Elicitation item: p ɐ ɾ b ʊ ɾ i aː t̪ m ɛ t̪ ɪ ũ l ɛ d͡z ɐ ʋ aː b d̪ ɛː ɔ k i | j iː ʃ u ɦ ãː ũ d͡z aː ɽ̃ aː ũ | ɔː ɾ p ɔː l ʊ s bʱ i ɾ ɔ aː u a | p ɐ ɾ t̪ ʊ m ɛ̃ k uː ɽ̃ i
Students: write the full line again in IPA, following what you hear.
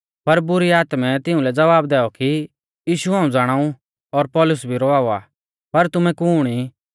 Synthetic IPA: p ɐ ɾ b ʊ ɾ i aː t̪ m ɛ t̪ ɪ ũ l ɛ d͡z ɐ ʋ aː b d̪ ɛː ɔ k i | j iː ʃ u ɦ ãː ũ d͡z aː ɽ̃ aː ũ | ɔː ɾ p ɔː l ʊ s bʱ i ɾ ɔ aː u a | p ɐ ɾ t̪ ʊ m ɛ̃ k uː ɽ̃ i